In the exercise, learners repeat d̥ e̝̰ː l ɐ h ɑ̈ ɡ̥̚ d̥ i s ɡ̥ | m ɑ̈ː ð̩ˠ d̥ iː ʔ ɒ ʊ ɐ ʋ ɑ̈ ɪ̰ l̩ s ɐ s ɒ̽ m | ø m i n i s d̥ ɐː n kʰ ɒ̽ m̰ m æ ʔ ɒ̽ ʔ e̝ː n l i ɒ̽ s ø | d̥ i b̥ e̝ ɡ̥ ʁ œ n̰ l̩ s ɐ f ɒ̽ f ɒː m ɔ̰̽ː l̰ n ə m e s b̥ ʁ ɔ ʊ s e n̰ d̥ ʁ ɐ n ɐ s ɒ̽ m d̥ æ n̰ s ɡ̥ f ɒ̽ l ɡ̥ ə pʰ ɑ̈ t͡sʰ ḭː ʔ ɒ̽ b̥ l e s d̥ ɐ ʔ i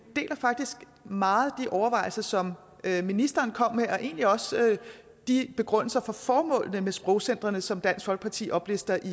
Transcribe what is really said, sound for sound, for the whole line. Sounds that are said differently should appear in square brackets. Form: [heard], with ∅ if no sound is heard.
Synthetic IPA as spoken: d̥ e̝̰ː l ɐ [f] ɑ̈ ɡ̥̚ d̥ i s ɡ̥ | m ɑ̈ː ð̩ˠ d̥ [i] ʔ ɒ ʊ ɐ ʋ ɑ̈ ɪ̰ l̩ s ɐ s ɒ̽ m | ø m i n i s d̥ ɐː n kʰ ɒ̽ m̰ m [e] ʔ ɒ̽ ʔ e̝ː n l i ɒ̽ s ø | d̥ i b̥ e̝ ɡ̥ ʁ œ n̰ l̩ s ɐ f ɒ̽ f ɒː m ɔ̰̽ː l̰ n ə m e s b̥ ʁ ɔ ʊ s e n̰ d̥ ʁ ɐ n [ə] s ɒ̽ m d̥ æ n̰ s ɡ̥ f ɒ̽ l ɡ̥ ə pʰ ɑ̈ t͡sʰ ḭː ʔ ɒ̽ b̥ l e s d̥ ɐ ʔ i

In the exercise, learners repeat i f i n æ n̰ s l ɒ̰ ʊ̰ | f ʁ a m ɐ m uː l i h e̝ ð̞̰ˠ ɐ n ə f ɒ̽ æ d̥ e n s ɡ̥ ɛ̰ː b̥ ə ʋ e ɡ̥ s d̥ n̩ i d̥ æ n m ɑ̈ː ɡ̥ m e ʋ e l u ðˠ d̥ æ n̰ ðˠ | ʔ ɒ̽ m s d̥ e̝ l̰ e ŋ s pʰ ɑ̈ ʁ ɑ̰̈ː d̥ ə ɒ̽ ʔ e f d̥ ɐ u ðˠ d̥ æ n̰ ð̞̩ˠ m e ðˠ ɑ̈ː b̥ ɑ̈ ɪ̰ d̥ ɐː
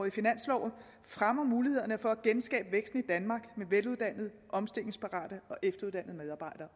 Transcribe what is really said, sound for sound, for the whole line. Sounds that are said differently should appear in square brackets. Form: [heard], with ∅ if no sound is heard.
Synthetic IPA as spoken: i f i n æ n̰ s l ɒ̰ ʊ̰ | f ʁ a m ɐ m uː l i h e̝ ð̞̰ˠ ɐ n ə f ɒ̽ æ [ɡ̥] e n s ɡ̥ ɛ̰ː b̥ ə ʋ e ɡ̥ s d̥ n̩ i d̥ æ n m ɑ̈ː ɡ̥ m e ʋ e l u ðˠ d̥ æ n̰ ðˠ | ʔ ɒ̽ m s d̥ e̝ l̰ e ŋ s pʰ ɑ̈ ʁ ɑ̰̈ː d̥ ə ɒ̽ ʔ e f d̥ ɐ u ðˠ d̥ æ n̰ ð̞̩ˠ m e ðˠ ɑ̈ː b̥ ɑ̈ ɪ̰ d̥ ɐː

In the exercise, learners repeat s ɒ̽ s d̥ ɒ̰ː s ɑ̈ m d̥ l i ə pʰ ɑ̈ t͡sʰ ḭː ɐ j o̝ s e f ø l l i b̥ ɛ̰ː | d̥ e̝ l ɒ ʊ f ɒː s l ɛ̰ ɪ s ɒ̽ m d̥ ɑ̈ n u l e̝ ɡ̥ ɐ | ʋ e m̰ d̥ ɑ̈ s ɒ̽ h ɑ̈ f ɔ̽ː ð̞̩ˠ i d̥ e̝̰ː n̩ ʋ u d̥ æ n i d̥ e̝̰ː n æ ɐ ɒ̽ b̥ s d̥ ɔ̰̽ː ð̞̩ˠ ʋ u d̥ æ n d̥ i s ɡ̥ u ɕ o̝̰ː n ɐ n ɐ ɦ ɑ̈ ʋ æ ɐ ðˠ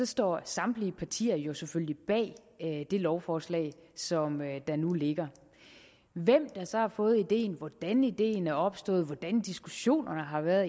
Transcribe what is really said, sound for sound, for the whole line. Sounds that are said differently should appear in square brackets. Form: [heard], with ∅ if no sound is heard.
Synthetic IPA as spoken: s ɒ̽ s d̥ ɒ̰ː s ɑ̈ m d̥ l i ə pʰ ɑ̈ t͡sʰ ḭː ɐ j o̝ s e f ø l l i b̥ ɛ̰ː | d̥ e̝ l ɒ ʊ f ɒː s l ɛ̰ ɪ s ɒ̽ m d̥ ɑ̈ n u l e̝ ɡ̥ ɐ | ʋ e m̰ d̥ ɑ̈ s ɒ̽ h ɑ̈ f ɔ̽ː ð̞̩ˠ i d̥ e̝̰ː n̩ ʋ [ɒ] d̥ æ n i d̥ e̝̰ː n æ ɐ ɒ̽ b̥ s d̥ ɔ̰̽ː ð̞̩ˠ ʋ [ɒ] d̥ æ n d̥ i s ɡ̥ u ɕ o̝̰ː n ɐ n [ə] ɦ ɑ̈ ʋ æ ɐ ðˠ

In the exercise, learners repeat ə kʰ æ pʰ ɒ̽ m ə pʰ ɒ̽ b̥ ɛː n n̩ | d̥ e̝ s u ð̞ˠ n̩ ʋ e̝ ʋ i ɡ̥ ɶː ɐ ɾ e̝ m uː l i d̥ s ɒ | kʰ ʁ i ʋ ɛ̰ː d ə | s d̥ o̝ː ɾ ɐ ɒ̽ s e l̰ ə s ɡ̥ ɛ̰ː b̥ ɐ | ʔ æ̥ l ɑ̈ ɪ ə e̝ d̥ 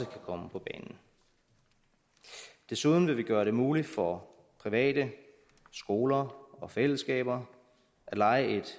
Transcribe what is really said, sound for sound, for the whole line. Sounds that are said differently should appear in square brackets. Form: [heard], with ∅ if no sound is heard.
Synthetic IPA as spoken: ə kʰ æ [kʰ] ɒ̽ m ə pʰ ɒ̽ b̥ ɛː n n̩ | d̥ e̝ s u ð̞ˠ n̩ ʋ e̝ ʋ i ɡ̥ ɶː ɐ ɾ e̝ m uː l i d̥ [f] ɒ | [pʰ] ʁ i ʋ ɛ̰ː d ə | s [ɡ̥] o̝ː [l] ɐ ɒ̽ [f] e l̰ ə s ɡ̥ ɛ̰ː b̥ ɐ | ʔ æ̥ l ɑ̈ ɪ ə e̝ d̥

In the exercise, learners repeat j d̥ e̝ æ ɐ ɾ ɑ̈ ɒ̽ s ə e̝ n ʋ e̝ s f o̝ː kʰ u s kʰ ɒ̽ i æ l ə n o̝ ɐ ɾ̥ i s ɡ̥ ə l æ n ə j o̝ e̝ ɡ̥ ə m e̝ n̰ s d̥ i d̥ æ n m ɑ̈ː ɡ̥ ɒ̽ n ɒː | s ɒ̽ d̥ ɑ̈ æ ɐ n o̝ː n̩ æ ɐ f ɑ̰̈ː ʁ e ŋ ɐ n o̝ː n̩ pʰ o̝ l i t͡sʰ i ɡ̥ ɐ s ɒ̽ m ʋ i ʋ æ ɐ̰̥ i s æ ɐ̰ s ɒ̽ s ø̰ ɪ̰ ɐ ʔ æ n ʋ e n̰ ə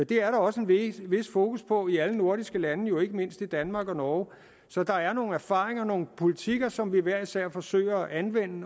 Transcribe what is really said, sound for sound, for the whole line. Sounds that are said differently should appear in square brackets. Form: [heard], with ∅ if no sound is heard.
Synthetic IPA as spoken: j d̥ e̝ æ ɐ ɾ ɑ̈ ɒ̽ s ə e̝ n ʋ e̝ s f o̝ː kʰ u s [pʰ] ɒ̽ i æ l ə n o̝ ɐ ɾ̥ i s ɡ̥ ə l æ n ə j o̝ e̝ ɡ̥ ə m e̝ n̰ s d̥ i d̥ æ n m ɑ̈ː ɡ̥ ɒ̽ n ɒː | s ɒ̽ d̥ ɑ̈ æ ɐ n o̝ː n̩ æ ɐ f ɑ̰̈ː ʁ e ŋ ɐ n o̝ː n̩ pʰ o̝ l i t͡sʰ i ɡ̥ ɐ s ɒ̽ m ʋ i ʋ æ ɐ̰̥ i s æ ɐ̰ [f] ɒ̽ s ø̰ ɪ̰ ɐ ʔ æ n ʋ e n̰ ə

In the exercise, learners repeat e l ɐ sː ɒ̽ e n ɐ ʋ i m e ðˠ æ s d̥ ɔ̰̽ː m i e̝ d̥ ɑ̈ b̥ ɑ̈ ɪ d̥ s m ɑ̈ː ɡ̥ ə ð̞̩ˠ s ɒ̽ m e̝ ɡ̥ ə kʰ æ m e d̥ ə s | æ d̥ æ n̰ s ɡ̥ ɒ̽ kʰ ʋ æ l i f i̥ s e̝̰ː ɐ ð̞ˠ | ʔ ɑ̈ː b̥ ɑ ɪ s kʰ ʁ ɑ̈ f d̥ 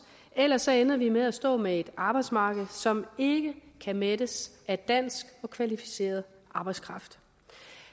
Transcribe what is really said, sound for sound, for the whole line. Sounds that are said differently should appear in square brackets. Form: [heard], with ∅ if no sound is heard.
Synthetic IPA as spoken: e l ɐ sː ɒ̽ e n ɐ ʋ i m e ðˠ æ s d̥ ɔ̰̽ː m [e] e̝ d̥ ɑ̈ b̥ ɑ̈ ɪ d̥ s m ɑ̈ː ɡ̥ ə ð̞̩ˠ s ɒ̽ m e̝ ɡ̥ ə kʰ æ m e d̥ ə s | æ d̥ æ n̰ s ɡ̥ ɒ̽ kʰ ʋ æ l i f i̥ s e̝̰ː ɐ ð̞ˠ | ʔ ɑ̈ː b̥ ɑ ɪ s kʰ ʁ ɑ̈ f d̥

